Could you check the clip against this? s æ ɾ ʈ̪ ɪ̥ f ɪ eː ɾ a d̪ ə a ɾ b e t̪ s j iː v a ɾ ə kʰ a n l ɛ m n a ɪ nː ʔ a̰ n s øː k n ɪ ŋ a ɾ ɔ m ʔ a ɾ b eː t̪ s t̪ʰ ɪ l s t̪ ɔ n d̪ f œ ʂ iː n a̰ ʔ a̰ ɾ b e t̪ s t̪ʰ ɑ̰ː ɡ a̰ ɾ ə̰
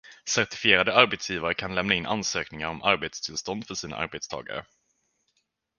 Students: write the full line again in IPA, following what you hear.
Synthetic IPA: s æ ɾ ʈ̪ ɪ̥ f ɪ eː ɾ a d̪ ə a ɾ b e t̪ s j iː v a ɾ ə kʰ a n l ɛ m n a ɪ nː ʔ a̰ n s øː k n ɪ ŋ a ɾ ɔ m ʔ a ɾ b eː t̪ s t̪ʰ ɪ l s t̪ ɔ n d̪ f œ ʂ iː n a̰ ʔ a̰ ɾ b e t̪ s t̪ʰ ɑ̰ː ɡ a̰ ɾ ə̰